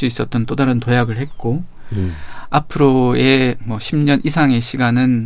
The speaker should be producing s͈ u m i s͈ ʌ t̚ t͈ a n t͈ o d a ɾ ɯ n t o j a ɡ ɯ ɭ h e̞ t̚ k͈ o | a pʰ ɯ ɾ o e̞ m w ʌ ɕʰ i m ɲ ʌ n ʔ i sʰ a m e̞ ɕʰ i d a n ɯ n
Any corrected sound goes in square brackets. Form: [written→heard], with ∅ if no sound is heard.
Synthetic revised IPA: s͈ u [m→∅] i s͈ ʌ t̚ t͈ [a→ʌ] n t͈ o d a ɾ ɯ n t o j a ɡ ɯ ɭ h e̞ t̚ k͈ o | a pʰ ɯ ɾ o e̞ m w ʌ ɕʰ i m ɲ ʌ n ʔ i sʰ a [m→ŋ] e̞ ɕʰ i [d→ɡ] a n ɯ n